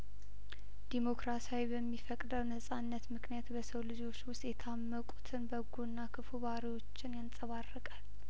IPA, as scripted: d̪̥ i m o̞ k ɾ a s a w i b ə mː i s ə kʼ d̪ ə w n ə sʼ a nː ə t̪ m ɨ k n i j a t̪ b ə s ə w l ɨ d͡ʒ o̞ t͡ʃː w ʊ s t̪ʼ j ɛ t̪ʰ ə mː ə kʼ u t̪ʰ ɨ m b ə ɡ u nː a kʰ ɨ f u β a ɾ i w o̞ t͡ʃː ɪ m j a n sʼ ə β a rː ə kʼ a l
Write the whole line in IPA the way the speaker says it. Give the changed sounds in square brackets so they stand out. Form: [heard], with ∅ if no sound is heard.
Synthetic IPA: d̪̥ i m o̞ k ɾ a s a w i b ə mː i [f] ə kʼ d̪ ə w n ə sʼ a nː ə t̪ m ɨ k n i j a t̪ b ə s ə w l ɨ d͡ʒ o̞ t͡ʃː w ʊ s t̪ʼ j ɛ t̪ʰ [a] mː ə kʼ u t̪ʰ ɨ [n] b ə ɡ u nː a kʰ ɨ f u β a ɾ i w o̞ t͡ʃː ɪ [n] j a n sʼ ə β a rː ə kʼ a l